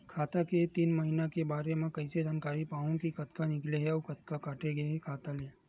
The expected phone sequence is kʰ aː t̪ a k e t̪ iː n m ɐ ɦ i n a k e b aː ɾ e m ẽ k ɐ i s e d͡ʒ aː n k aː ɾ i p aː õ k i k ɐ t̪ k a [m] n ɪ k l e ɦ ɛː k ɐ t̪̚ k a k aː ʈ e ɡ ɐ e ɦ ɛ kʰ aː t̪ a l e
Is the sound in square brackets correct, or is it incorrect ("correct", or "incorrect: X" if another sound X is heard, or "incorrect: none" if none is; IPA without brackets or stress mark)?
incorrect: none